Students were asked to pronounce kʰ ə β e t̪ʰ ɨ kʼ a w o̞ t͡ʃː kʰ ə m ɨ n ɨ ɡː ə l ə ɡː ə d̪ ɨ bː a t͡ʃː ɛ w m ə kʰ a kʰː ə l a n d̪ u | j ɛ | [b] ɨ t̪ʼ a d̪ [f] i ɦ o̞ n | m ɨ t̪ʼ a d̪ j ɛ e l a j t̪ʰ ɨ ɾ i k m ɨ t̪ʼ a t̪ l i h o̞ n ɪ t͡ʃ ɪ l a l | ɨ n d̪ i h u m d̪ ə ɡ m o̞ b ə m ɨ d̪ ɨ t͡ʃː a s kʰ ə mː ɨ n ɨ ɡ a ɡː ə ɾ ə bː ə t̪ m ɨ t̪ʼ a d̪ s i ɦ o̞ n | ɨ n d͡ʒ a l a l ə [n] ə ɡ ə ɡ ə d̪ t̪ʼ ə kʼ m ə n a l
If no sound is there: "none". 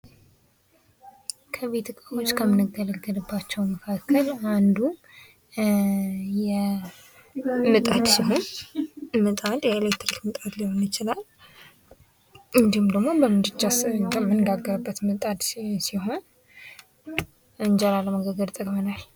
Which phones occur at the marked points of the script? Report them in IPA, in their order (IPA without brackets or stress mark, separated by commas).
m, s, m